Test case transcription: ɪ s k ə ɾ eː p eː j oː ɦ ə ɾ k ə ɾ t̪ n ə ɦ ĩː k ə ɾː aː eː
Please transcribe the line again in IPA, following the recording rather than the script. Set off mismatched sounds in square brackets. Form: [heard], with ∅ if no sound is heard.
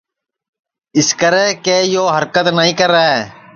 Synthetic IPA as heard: ɪ s k ə ɾ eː [k] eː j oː ɦ ə ɾ k ə [∅] t̪ n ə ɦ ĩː k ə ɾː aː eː